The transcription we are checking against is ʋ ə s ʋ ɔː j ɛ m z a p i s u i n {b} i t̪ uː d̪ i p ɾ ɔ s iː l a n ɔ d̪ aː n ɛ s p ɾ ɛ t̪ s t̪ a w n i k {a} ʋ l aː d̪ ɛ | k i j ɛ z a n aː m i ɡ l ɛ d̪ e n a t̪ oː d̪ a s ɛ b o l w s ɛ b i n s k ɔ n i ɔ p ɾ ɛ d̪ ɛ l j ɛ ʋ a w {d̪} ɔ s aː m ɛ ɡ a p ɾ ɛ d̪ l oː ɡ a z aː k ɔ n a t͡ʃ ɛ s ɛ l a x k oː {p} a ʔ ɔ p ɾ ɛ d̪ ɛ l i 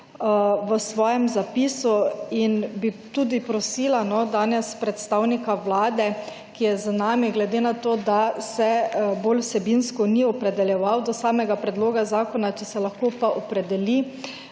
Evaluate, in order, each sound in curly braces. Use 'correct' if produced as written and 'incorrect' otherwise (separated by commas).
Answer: correct, correct, correct, correct